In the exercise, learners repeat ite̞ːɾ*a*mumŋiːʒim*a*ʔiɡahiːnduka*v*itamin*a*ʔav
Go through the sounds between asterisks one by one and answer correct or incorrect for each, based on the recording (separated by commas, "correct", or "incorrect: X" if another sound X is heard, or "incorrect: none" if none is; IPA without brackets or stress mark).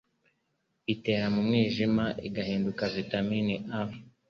correct, correct, correct, incorrect: i